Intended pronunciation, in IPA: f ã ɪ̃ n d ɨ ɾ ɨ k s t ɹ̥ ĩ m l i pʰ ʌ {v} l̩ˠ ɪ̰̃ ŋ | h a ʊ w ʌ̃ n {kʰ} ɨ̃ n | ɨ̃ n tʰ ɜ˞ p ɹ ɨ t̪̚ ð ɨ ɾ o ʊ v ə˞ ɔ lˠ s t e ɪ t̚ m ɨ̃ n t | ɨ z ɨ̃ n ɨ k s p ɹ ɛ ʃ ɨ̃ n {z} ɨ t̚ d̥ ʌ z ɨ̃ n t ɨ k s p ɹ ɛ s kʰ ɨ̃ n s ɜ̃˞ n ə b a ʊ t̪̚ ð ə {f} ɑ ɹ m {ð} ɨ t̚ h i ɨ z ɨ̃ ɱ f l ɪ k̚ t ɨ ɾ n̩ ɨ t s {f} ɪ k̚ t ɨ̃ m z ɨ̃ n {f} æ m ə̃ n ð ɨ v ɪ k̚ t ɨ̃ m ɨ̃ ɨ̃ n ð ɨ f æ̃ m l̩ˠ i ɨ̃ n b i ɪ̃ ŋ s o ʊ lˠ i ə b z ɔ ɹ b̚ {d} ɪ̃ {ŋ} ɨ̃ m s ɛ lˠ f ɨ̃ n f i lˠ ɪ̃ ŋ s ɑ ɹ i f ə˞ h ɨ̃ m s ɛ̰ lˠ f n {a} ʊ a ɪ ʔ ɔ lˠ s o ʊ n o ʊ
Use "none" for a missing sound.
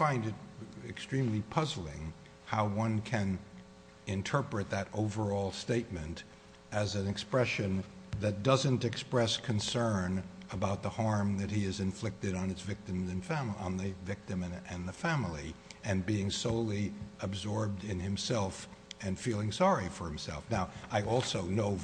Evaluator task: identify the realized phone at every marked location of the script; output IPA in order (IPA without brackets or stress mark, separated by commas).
z, kʰ, ð, h, ð, v, f, d, n, a